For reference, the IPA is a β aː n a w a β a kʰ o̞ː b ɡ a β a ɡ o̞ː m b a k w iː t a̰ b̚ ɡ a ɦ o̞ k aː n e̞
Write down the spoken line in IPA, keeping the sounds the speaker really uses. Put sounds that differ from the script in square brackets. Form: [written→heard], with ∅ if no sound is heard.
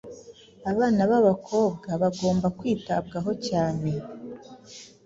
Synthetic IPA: a β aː n a [w→β] a β a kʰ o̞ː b ɡ a β a ɡ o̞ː m b a k w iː t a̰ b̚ ɡ a ɦ o̞ [k→c] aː n e̞